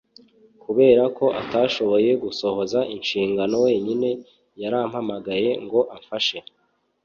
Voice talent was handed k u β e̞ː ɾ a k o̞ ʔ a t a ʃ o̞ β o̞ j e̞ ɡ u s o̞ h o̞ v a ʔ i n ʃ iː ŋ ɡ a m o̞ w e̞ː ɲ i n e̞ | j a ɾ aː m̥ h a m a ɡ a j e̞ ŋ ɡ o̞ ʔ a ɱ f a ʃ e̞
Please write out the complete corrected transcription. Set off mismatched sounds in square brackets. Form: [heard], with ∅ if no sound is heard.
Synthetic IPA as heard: k u β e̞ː ɾ a k o̞ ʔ a t a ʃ o̞ β o̞ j e̞ ɡ u s o̞ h o̞ [z] a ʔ i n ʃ iː ŋ ɡ a [n] o̞ w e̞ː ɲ i n e̞ | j a ɾ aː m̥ h a m a ɡ a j e̞ ŋ ɡ o̞ ʔ a ɱ f a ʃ e̞